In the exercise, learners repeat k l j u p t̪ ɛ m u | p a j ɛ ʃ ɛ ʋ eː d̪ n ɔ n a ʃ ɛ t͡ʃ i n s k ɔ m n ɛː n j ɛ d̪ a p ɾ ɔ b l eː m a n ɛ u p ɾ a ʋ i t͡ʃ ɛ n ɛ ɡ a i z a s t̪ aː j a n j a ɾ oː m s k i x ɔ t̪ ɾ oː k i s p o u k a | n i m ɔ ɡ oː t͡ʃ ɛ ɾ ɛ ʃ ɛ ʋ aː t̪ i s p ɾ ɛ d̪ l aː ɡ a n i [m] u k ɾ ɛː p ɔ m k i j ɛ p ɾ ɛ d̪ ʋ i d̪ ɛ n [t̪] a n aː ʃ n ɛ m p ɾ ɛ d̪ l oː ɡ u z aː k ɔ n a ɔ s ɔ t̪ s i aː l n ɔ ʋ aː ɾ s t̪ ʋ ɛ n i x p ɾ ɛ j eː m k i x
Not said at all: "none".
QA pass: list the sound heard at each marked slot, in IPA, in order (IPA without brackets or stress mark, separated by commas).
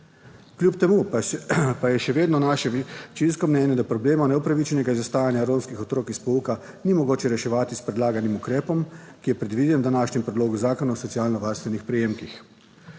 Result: m, d̪